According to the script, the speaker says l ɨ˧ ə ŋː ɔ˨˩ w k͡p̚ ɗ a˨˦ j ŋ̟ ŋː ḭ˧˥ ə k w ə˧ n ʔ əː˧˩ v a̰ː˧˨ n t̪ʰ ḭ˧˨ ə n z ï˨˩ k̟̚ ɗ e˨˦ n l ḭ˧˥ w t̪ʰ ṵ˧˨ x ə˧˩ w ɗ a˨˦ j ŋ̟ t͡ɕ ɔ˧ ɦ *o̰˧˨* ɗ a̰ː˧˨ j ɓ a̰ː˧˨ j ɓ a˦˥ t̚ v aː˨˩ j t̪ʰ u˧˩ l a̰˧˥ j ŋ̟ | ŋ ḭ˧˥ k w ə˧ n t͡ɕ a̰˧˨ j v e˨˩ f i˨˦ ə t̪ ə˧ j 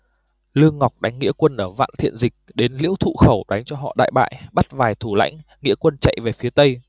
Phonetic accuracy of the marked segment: incorrect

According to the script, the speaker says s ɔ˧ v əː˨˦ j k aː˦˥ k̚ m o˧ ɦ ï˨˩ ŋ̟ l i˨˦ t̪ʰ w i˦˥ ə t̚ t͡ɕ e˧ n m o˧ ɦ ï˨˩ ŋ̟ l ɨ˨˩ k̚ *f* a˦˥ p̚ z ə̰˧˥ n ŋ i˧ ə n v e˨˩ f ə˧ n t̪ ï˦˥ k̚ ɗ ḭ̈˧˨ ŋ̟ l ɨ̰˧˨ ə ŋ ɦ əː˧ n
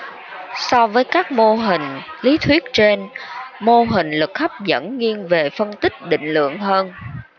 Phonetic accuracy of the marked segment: incorrect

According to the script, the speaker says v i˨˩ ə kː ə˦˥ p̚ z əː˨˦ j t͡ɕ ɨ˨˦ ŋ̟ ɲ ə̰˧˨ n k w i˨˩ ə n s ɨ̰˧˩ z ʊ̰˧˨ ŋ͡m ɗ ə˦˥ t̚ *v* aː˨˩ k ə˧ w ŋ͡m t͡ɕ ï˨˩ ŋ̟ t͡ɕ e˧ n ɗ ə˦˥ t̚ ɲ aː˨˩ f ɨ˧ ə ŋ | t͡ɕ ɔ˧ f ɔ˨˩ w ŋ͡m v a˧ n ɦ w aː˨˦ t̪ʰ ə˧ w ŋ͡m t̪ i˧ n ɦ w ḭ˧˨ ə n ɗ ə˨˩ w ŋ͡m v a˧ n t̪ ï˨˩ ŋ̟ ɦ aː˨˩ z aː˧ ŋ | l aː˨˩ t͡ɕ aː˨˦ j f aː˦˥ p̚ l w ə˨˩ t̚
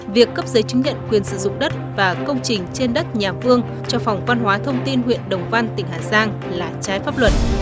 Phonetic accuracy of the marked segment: correct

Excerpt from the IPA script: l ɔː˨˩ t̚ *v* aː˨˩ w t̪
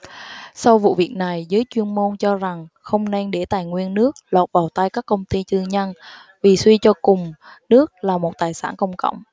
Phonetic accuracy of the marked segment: correct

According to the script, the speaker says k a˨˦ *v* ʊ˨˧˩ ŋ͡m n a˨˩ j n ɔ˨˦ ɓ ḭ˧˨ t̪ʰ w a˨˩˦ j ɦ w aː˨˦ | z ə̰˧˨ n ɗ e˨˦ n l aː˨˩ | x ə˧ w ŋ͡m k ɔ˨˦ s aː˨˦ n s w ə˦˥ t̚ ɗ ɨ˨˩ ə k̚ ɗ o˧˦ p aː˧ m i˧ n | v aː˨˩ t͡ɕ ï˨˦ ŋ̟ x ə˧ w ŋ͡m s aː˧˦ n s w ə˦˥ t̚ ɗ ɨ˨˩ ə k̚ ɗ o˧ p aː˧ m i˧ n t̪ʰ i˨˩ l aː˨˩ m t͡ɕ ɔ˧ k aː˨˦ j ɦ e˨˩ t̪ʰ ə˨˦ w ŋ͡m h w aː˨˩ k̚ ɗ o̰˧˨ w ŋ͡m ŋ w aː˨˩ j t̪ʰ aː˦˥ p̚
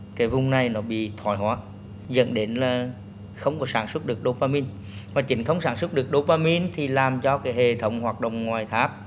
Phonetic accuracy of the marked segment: correct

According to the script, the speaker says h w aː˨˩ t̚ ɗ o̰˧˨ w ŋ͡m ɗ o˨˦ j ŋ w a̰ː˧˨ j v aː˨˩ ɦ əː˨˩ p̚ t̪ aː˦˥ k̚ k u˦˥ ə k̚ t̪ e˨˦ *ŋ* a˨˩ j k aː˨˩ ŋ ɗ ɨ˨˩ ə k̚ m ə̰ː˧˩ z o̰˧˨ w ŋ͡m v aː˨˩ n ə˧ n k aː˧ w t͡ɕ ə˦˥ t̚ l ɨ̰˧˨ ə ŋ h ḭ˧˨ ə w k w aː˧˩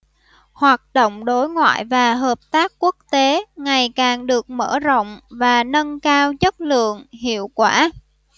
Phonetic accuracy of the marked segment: correct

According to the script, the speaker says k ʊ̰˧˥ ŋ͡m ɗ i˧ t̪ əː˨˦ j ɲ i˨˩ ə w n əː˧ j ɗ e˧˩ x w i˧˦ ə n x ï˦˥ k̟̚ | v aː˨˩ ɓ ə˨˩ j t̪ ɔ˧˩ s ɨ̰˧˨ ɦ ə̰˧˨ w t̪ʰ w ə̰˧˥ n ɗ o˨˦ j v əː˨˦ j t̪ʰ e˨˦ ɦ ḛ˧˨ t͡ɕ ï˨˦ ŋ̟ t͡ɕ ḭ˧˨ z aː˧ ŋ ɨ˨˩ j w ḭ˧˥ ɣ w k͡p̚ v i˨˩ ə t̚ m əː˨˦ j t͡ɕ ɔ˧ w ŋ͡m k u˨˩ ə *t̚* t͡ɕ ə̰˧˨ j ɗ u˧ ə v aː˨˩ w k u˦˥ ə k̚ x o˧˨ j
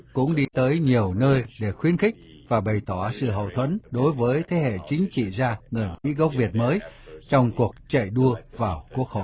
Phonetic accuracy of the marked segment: incorrect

